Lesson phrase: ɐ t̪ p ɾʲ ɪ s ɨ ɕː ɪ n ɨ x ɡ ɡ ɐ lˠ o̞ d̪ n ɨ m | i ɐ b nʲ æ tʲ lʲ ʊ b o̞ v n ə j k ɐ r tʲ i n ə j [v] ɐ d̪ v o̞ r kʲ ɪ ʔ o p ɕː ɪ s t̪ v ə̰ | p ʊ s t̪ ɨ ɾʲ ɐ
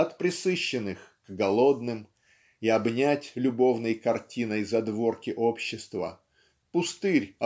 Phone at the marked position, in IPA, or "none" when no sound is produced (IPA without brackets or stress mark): z